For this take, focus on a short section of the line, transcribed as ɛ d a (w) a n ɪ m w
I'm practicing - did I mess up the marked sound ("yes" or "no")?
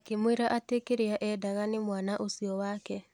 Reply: yes